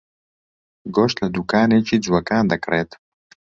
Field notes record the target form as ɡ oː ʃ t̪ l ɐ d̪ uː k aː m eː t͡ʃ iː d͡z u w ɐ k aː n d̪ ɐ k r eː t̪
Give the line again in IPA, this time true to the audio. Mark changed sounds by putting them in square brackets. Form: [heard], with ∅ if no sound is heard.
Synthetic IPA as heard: ɡ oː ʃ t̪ l ɐ d̪ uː k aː [n] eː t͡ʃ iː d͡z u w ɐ k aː n d̪ ɐ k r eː t̪